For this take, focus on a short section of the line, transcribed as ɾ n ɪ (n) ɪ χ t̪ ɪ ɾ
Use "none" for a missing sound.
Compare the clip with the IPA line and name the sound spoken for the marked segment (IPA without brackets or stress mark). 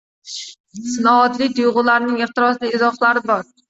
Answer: ŋ